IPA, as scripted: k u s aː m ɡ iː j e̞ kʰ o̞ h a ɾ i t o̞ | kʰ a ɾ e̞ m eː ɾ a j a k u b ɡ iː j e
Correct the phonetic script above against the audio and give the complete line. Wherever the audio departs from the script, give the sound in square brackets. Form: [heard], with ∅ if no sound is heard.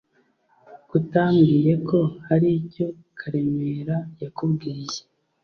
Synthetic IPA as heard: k u [t] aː m ɡ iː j e̞ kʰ o̞ h a ɾ i [c] o̞ | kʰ a ɾ e̞ m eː ɾ a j a k u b ɡ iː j e